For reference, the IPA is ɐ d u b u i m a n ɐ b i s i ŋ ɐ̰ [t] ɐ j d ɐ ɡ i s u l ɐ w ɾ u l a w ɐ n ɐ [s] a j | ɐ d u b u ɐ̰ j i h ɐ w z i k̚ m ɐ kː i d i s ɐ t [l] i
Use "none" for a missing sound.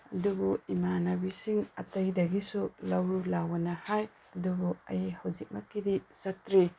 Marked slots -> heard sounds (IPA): t, h, ɾ

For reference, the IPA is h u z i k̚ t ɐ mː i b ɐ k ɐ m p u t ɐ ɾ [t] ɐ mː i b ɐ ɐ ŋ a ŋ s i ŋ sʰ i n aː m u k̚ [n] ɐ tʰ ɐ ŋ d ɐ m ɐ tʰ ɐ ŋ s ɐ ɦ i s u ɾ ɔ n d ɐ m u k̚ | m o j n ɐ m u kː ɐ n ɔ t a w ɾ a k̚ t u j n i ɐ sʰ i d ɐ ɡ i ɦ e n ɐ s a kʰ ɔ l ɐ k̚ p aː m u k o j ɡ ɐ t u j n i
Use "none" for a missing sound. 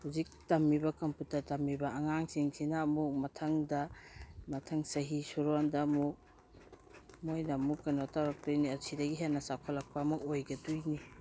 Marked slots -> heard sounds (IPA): t, m

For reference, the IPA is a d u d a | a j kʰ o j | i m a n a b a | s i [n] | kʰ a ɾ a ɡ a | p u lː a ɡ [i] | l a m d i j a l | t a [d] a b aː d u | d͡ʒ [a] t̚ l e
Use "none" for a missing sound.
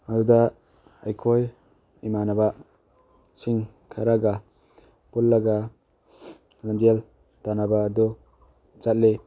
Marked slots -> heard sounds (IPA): ŋ, a, n, a

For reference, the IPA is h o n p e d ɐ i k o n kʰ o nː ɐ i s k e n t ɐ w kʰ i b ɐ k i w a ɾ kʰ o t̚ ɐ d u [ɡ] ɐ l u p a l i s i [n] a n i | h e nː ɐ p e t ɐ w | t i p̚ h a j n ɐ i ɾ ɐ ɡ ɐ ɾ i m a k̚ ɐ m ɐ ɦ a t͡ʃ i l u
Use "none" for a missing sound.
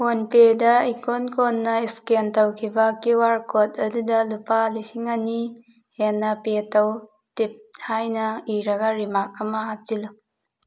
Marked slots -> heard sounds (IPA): d, ŋ

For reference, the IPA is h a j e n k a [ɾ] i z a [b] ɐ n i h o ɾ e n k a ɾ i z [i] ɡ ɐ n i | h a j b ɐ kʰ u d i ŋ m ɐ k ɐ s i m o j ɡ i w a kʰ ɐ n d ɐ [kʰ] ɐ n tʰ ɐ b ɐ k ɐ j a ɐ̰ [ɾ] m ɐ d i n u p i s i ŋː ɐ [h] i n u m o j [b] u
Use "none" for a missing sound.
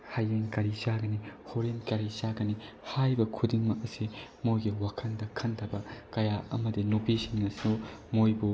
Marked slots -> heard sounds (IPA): ɾ, ɡ, a, kʰ, none, s, b

